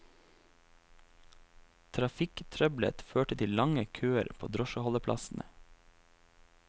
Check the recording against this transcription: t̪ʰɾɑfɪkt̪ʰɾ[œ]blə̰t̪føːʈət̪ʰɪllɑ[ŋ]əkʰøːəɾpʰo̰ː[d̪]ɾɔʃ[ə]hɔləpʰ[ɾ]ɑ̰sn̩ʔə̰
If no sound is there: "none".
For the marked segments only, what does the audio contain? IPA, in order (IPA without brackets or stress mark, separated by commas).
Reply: œ, ŋ, d̪, ə, l